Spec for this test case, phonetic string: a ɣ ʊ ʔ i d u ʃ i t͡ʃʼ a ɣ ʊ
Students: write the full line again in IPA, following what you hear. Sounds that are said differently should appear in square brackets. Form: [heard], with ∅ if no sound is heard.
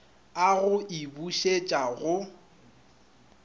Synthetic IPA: a ɣ ʊ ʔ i [b] u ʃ [e] t͡ʃʼ a ɣ ʊ